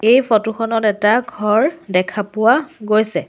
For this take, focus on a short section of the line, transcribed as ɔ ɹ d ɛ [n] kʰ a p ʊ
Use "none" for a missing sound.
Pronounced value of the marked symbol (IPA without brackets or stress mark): none